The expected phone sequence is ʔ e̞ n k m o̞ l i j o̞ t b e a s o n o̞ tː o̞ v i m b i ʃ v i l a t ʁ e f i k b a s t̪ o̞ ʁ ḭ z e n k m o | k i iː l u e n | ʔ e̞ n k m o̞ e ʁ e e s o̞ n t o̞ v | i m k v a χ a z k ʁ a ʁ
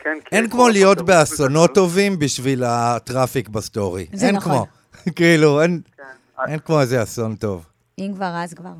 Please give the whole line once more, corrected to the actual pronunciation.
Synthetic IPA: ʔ e̞ n k m o̞ l i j o̞ t b e a s o n o̞ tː o̞ v i m b i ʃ v i l a t ʁ a f i k b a s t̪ o̞ ʁ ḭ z e n k m o | k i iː l u e n | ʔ e̞ n k m o̞ e z e a s o̞ n t o̞ v | i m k v a ʁ a z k v a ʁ